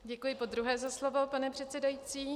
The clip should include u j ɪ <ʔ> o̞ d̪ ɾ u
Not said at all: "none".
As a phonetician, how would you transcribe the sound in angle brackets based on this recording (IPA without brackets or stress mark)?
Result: p